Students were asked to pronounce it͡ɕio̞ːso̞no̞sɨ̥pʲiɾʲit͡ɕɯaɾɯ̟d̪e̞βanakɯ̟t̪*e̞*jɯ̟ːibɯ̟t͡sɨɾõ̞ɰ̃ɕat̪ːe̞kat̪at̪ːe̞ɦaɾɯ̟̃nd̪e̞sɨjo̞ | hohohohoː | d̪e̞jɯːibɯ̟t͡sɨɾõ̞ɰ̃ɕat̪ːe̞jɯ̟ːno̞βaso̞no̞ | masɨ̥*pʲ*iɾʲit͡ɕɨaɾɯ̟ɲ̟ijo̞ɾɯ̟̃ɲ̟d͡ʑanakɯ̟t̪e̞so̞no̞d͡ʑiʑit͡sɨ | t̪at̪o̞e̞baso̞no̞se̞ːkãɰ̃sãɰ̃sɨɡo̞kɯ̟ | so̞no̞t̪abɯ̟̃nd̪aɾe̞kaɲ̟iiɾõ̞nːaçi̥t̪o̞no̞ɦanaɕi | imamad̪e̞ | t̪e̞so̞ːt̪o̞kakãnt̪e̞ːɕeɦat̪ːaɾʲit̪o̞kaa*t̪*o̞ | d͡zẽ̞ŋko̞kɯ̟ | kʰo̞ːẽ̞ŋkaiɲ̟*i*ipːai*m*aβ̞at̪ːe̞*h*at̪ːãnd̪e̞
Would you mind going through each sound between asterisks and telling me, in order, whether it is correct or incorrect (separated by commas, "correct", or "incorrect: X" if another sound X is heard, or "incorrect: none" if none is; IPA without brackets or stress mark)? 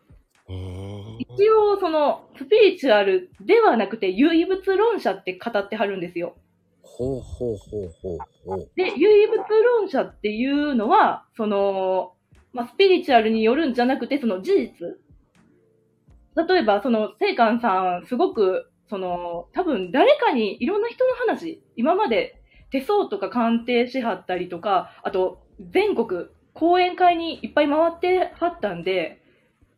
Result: correct, correct, correct, correct, correct, correct